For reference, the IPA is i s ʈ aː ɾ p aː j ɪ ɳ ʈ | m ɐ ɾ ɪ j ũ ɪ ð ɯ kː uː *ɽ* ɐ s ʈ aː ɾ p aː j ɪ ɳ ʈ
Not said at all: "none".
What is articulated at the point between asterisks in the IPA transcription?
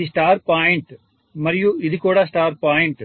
ɽ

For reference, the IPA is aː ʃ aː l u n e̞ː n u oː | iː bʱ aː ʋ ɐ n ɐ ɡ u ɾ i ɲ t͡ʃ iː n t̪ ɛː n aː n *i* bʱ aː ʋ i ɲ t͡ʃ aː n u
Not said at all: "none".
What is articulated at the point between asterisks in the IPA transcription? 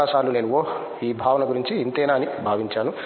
i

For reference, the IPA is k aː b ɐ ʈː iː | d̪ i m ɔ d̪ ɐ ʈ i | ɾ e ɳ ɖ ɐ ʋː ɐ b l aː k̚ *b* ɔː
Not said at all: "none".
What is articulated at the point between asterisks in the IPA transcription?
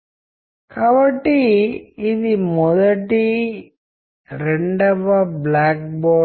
b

